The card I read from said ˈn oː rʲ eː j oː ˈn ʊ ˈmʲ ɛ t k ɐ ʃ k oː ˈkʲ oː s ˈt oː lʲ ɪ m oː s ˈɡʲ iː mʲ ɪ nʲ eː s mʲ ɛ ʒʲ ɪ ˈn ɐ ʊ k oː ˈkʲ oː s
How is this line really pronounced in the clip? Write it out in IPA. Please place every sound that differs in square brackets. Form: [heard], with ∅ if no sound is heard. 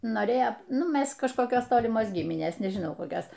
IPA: ˈn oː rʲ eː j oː ˈn ʊ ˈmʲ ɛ [s] k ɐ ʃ k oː ˈkʲ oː s ˈt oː lʲ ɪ m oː s ˈɡʲ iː mʲ ɪ nʲ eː s [nʲ] ɛ ʒʲ ɪ ˈn ɐ ʊ k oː ˈkʲ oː s